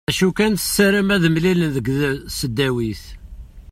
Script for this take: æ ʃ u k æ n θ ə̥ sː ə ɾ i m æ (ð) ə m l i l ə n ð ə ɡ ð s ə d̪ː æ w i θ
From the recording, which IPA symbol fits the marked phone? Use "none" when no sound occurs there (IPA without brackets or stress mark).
ð